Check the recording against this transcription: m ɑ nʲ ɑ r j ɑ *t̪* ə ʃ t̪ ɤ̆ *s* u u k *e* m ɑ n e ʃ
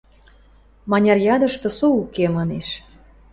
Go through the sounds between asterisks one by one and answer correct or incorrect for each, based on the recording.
incorrect: d̪, correct, correct

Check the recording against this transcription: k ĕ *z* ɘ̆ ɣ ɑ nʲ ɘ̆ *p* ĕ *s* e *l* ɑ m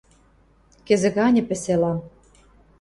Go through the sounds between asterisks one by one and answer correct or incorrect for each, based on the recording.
correct, correct, correct, correct

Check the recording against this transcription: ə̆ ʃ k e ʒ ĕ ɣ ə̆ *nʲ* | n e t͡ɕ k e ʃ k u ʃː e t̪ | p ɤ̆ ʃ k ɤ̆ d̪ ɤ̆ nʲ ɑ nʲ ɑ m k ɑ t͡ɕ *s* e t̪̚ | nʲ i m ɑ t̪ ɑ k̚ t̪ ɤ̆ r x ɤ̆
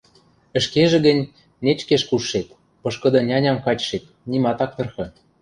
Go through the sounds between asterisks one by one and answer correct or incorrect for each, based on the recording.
correct, incorrect: ʃ

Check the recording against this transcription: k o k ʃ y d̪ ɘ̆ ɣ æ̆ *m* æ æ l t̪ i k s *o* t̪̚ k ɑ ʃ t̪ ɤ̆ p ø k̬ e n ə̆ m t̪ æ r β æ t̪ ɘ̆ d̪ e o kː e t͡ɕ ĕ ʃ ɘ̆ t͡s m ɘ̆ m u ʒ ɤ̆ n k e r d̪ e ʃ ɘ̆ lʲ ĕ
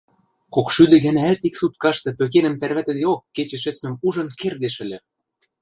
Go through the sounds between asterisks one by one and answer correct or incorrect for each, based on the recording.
incorrect: n, incorrect: u

